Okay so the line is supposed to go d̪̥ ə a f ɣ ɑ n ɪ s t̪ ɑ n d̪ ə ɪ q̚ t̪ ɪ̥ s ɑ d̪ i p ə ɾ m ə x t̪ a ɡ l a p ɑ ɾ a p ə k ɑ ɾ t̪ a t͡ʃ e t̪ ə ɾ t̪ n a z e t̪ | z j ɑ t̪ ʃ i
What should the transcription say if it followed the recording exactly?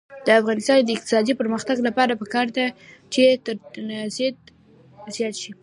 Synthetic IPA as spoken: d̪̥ ə a f ɣ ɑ n ɪ s t̪ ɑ n d̪ ə ɪ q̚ t̪ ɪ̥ s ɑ d̪ i p ə ɾ m ə x t̪ a ɡ l a p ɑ ɾ a p ə k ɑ ɾ d̪ a t͡ʃ e t̪ ə ɾ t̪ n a z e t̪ | z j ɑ t̪ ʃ i